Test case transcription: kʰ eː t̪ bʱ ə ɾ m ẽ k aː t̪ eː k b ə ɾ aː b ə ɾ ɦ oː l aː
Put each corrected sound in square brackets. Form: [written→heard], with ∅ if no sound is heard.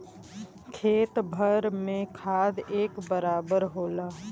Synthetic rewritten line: kʰ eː t̪ bʱ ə ɾ m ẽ [k→kʰ] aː [t̪→d̪] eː k b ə ɾ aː b ə ɾ ɦ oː l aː

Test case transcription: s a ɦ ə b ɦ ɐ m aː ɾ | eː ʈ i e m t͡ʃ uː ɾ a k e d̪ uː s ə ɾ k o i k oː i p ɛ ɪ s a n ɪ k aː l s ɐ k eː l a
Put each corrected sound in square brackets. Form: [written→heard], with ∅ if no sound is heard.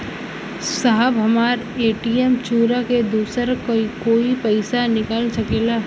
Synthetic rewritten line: s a ɦ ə b ɦ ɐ m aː ɾ | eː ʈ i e m t͡ʃ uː ɾ a k e d̪ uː s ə ɾ k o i k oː i p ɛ ɪ s a n ɪ k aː l s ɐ k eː l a

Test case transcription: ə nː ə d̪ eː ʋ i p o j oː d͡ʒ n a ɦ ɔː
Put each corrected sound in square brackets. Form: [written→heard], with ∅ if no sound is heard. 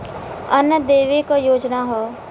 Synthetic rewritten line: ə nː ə d̪ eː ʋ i [p→k] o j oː d͡ʒ n a ɦ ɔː

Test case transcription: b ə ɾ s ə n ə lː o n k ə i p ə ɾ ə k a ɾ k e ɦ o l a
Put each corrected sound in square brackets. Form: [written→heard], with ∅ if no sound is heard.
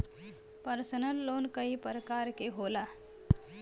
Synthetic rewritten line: [b→p] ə ɾ s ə n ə lː o n k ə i p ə ɾ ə k a ɾ k e ɦ o l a

